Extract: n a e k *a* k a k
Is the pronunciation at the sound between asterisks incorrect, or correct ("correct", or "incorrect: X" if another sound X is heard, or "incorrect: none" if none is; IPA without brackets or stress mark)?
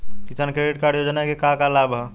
incorrect: e